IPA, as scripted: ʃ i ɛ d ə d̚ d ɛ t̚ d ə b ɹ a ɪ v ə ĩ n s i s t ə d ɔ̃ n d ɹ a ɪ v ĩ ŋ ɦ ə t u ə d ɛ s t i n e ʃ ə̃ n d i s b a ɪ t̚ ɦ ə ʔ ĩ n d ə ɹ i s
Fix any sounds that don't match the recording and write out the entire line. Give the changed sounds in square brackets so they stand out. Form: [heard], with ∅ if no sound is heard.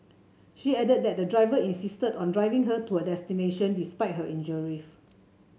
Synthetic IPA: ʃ i ɛ d ə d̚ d ɛ t̚ d ə [d] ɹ a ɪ v ə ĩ n s i s t ə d ɔ̃ n d ɹ a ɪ v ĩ ŋ ɦ ə t u ə d ɛ s t i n e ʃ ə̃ n d i s [p] a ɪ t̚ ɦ ə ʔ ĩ n [d͡ʒ] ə ɹ i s